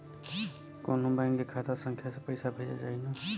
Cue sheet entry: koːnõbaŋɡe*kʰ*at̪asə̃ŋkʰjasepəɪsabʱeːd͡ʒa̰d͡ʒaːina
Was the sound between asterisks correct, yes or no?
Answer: yes